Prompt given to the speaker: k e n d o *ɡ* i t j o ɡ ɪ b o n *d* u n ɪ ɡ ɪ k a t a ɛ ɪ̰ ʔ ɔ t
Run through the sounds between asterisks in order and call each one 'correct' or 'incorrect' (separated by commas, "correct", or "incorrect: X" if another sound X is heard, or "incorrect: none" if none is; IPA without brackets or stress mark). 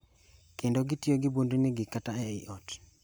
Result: correct, correct